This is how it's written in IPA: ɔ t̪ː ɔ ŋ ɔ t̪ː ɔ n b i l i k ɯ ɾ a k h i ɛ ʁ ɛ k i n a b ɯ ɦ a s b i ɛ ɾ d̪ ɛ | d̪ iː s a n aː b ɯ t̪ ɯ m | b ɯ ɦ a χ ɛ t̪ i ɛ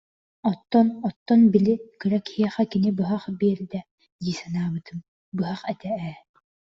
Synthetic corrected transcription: ɔ t̪ː ɔ n ɔ t̪ː ɔ n b i l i k ɯ ɾ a k h i ɛ χ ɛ k i n i b ɯ ɦ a χ b i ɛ ɾ d̪ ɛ | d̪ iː s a n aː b ɯ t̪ ɯ m | b ɯ ɦ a χ ɛ t̪ ɛ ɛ